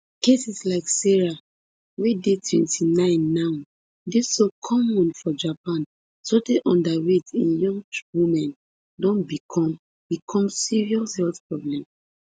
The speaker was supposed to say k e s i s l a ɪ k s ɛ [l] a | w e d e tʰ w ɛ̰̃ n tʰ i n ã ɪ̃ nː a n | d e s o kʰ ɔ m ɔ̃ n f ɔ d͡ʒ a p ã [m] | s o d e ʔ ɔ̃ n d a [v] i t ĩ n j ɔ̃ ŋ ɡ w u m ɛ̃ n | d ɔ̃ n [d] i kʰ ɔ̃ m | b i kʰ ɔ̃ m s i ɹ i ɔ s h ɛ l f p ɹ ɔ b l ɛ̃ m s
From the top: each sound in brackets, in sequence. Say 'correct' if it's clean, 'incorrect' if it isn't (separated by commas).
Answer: incorrect, incorrect, incorrect, incorrect